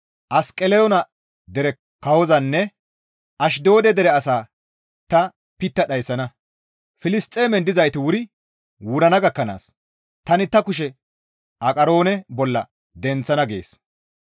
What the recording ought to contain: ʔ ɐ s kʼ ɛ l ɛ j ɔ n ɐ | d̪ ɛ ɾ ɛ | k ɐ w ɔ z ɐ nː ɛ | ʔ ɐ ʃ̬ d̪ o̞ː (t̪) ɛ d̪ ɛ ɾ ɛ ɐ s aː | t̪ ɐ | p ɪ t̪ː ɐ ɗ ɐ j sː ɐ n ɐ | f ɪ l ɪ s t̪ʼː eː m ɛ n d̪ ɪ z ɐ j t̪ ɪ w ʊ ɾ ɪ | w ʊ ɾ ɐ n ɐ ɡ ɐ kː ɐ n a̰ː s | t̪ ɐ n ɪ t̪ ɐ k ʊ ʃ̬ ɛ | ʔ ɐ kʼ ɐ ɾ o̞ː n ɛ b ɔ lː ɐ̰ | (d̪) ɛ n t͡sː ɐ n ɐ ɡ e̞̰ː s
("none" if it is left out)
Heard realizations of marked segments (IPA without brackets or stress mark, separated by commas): d̪, d̪